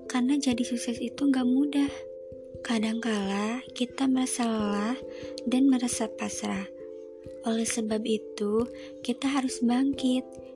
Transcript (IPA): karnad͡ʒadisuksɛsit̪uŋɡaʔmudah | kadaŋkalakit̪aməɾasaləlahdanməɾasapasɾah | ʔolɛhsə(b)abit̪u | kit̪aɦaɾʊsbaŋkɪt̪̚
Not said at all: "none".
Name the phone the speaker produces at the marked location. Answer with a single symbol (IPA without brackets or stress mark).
b